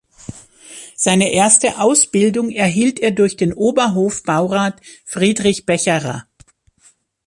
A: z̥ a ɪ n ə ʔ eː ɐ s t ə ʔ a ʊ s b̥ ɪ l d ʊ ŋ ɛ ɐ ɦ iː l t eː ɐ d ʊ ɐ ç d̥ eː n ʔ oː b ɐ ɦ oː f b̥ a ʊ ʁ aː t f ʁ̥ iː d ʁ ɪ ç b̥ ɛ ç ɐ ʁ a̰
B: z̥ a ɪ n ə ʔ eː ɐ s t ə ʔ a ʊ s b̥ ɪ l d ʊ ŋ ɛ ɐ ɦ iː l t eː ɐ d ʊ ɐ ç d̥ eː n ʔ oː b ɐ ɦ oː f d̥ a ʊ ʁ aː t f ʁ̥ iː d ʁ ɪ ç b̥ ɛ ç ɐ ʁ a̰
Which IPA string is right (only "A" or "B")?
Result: A